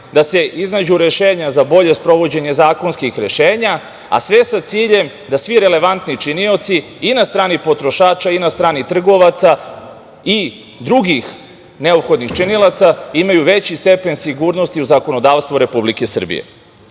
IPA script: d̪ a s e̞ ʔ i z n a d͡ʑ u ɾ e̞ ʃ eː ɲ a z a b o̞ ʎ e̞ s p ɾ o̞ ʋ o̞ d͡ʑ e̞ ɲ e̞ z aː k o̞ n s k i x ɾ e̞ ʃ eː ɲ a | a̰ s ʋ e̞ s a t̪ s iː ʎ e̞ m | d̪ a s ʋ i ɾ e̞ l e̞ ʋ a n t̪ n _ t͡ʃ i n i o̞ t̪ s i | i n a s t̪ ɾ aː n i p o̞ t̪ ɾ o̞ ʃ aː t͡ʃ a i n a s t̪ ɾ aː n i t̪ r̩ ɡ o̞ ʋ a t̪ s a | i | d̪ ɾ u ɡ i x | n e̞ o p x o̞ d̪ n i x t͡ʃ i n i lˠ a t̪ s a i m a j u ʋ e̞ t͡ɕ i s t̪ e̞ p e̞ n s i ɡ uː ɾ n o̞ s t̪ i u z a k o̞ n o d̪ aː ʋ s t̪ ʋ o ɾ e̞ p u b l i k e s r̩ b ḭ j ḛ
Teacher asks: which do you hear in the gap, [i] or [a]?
i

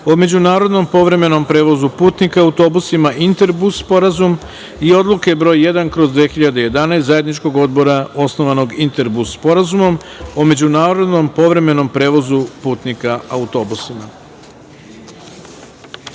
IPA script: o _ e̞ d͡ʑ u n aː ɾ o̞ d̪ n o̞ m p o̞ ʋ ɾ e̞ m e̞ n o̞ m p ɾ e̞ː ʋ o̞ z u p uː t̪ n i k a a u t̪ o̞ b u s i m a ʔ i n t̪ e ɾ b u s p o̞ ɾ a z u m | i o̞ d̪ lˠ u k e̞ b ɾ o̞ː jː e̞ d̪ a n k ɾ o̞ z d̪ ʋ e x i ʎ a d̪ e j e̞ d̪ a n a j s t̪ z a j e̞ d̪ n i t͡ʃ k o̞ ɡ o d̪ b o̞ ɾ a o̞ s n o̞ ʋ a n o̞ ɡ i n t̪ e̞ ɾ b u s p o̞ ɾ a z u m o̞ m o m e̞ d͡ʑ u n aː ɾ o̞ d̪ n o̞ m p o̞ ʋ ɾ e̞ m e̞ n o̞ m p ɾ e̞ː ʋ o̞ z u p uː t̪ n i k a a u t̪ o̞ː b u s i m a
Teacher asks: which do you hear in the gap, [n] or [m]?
m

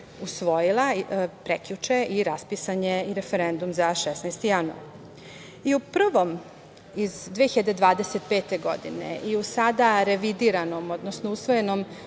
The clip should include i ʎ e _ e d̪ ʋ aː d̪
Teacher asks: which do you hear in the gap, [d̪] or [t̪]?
d̪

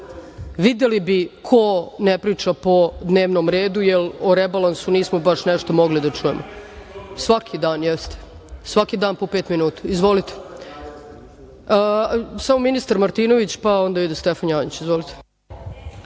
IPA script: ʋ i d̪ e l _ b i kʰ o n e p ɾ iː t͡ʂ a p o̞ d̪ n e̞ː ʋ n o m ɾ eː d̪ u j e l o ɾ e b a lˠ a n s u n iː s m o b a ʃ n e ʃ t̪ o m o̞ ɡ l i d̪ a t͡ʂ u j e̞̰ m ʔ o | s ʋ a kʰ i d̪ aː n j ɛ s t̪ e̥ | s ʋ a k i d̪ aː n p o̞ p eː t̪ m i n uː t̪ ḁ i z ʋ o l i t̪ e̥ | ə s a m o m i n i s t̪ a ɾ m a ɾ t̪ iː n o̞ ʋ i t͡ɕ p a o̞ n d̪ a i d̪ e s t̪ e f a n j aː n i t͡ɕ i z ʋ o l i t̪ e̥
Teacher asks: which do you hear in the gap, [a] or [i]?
i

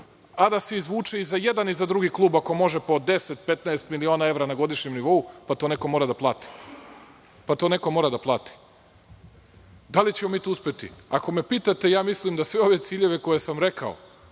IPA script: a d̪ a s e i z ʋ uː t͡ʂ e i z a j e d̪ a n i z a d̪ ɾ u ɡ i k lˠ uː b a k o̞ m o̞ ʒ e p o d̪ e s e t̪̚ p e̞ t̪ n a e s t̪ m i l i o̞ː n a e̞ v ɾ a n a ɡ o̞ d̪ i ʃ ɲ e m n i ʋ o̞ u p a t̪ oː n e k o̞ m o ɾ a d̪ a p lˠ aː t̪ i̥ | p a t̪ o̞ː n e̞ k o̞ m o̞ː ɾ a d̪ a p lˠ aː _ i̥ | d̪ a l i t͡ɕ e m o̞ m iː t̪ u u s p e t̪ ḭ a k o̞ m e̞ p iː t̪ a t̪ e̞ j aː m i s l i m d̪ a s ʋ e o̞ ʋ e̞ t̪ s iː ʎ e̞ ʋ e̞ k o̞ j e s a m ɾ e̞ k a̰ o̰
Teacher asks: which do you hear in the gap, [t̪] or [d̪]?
t̪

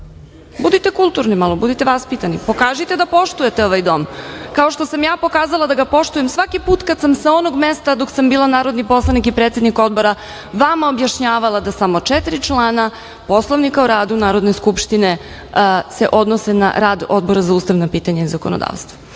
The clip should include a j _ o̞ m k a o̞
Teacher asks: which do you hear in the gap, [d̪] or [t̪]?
d̪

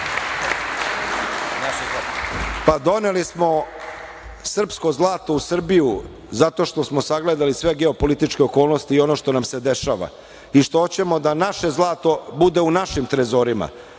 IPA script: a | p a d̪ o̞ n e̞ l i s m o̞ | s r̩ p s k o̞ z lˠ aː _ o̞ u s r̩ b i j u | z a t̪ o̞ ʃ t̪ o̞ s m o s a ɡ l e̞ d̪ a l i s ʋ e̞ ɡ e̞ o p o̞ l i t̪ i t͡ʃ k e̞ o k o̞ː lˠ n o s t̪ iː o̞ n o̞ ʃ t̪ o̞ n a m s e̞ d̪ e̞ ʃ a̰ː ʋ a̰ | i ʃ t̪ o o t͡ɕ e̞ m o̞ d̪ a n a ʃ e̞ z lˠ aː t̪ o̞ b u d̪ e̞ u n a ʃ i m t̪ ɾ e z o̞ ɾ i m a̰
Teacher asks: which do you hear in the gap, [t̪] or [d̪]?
t̪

